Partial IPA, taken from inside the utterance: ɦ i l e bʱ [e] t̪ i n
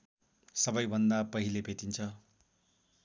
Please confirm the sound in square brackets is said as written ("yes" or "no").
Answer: yes